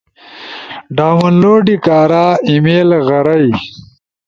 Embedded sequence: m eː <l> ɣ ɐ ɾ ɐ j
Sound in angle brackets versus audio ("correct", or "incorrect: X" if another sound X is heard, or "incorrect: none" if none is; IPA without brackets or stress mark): correct